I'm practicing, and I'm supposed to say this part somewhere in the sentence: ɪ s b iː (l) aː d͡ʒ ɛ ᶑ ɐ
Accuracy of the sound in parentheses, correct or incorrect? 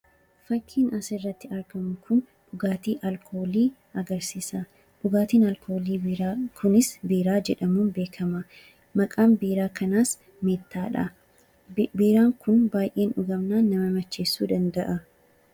incorrect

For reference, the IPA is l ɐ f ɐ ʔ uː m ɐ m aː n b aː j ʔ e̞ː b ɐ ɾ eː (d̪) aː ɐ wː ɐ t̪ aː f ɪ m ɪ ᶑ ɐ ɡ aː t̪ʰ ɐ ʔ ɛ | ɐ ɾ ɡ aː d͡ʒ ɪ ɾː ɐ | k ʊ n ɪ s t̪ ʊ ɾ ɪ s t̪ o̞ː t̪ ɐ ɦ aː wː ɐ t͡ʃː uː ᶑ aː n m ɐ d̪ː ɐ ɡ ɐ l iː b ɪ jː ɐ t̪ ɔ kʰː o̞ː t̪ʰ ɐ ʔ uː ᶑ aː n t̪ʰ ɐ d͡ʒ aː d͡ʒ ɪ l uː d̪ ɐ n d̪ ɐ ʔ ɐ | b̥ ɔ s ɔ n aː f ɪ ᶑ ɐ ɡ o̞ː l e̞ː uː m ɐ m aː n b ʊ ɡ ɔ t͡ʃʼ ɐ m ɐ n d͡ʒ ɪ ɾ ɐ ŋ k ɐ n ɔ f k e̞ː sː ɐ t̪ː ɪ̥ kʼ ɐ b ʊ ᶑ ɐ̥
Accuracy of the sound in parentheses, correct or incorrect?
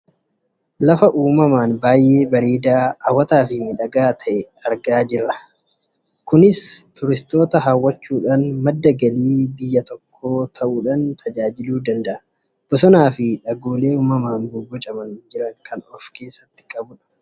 correct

